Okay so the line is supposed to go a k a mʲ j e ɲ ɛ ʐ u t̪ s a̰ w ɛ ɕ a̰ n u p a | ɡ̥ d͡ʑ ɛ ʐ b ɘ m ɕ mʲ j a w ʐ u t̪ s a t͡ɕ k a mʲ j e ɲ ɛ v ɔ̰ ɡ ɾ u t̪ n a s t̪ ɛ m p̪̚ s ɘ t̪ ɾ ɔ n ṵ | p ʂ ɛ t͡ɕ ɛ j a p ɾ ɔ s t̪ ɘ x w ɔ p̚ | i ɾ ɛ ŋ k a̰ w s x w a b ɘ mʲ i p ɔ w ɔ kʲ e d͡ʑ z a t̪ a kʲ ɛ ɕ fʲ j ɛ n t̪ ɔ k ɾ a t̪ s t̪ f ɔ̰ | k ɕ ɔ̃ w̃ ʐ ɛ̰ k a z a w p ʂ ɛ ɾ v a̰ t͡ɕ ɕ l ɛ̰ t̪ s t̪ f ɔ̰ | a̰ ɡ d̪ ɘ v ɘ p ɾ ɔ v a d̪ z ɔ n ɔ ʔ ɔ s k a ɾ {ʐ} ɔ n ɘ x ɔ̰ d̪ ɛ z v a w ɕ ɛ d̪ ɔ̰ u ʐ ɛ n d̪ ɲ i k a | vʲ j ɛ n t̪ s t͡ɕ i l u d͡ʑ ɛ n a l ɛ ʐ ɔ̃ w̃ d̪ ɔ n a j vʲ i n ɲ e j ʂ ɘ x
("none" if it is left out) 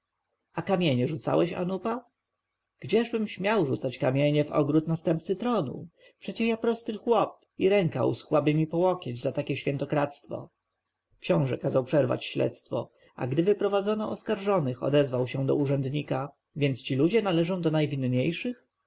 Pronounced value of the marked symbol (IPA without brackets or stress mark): ʐ